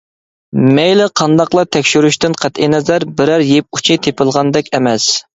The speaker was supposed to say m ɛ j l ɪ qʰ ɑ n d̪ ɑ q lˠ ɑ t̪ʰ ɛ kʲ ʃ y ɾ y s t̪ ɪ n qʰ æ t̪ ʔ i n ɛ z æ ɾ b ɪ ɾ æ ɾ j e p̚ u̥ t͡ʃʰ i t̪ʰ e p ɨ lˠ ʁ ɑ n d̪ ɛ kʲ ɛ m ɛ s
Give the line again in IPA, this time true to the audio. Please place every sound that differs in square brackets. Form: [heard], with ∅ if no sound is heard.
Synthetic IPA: m ɛ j l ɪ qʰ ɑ n d̪ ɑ q lˠ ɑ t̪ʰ ɛ kʲ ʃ y ɾ y [ʃ] t̪ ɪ n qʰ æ t̪ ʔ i n ɛ z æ ɾ b ɪ ɾ æ ɾ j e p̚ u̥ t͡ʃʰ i t̪ʰ e p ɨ lˠ ʁ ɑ n d̪ ɛ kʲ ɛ m ɛ s